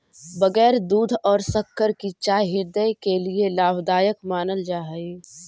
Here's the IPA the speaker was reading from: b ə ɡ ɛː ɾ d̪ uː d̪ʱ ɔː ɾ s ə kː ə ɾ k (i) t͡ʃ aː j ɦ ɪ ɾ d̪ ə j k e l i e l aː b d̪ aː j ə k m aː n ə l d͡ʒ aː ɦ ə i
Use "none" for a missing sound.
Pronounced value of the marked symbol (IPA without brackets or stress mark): i